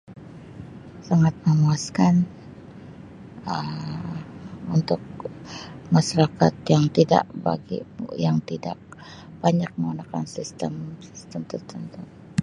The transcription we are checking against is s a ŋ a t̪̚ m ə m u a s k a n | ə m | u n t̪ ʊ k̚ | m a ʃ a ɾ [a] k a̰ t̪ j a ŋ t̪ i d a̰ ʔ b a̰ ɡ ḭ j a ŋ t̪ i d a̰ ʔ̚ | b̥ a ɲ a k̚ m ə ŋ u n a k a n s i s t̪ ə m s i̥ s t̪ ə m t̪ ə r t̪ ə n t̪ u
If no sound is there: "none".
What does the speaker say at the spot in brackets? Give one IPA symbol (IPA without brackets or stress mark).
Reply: a